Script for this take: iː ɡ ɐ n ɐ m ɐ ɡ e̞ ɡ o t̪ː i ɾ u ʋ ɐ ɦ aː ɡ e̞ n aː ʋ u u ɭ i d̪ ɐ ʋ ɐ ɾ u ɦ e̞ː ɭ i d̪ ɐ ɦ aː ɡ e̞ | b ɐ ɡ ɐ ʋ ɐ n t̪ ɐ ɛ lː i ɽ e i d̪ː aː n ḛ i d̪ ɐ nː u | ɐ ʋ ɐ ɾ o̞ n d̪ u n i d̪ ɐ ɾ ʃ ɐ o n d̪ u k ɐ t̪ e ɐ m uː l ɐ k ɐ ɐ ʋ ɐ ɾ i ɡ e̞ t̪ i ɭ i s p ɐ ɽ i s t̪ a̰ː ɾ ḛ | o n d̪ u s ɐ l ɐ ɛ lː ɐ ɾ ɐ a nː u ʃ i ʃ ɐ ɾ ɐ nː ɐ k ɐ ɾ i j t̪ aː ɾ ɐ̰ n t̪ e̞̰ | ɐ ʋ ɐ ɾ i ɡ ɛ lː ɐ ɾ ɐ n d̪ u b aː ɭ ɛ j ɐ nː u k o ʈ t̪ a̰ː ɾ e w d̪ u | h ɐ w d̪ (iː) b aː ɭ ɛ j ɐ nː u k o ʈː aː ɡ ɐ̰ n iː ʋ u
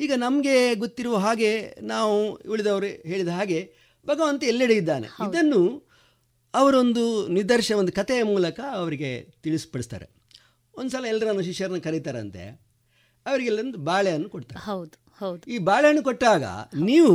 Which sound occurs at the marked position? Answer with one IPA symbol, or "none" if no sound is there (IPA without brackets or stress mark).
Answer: iː